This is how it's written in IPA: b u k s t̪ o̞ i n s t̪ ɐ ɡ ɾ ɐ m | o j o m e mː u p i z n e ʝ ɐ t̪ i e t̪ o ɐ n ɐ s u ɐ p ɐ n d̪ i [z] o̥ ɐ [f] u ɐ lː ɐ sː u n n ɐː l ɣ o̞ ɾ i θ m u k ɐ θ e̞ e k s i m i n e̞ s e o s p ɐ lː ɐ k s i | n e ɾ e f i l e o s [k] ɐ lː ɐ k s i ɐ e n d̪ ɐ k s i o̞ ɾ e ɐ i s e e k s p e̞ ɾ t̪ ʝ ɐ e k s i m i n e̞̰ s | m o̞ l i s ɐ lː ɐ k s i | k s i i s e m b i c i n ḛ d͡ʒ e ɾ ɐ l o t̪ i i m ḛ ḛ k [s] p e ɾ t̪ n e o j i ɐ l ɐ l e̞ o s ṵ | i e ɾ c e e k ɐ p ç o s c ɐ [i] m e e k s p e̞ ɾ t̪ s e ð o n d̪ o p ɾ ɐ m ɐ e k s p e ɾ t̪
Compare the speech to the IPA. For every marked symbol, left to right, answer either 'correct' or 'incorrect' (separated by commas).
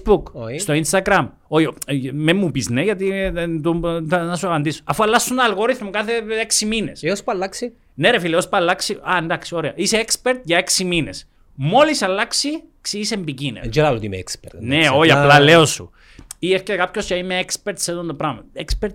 incorrect, correct, incorrect, correct, correct